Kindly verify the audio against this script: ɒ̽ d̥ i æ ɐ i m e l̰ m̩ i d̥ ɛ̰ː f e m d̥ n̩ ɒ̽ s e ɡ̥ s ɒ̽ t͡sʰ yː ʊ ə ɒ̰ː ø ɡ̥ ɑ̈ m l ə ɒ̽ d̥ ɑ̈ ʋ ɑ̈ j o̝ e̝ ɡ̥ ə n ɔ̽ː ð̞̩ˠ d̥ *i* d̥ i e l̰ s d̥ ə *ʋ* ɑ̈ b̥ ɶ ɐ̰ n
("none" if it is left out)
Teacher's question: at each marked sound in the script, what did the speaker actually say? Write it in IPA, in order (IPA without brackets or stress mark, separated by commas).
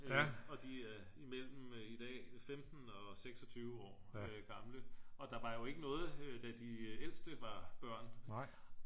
æ, ʋ